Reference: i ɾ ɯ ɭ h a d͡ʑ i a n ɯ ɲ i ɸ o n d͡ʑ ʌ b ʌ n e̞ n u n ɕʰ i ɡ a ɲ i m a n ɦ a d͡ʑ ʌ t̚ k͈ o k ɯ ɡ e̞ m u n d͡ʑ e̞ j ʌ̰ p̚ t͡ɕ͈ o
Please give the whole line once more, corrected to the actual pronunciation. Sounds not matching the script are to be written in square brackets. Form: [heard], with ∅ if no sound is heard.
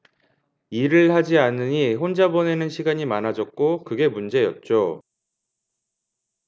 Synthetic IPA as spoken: i ɾ ɯ ɭ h a d͡ʑ i a n ɯ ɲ i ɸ o n d͡ʑ [a] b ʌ n e̞ n [ɯ] n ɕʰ i ɡ a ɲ i m a n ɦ a d͡ʑ ʌ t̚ k͈ o k ɯ ɡ e̞ m u n d͡ʑ e̞ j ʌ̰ [t̚] t͡ɕ͈ o